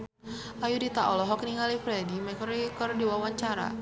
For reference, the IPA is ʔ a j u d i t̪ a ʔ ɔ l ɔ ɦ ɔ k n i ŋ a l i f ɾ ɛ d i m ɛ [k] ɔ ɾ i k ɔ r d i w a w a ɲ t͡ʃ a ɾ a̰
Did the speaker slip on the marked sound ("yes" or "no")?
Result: no